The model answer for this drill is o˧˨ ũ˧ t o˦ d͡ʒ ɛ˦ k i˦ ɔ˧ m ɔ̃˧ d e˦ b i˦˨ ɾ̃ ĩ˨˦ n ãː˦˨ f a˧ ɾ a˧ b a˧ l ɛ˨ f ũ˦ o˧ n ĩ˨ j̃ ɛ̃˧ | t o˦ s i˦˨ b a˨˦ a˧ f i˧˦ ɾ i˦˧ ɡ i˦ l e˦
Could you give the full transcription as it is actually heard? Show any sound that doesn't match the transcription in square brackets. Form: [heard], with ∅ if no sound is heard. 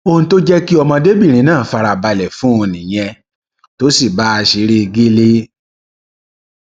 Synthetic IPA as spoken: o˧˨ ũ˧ t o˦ d͡ʒ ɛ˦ k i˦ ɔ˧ m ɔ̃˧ d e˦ b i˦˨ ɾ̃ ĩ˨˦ n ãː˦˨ f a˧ ɾ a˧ b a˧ l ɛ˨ f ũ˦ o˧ n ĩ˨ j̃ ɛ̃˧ | t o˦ s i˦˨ b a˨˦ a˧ [ʃ] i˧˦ ɾ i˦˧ ɡ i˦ l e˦